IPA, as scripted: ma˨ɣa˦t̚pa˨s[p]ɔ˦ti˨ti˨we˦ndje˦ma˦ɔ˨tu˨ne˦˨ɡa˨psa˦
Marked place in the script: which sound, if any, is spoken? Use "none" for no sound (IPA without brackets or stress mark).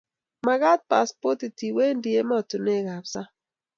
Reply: p